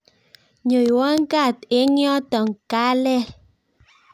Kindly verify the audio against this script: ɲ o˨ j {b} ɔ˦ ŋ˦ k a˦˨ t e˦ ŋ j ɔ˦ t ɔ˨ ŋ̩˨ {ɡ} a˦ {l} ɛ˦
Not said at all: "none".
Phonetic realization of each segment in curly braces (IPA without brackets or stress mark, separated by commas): w, k, l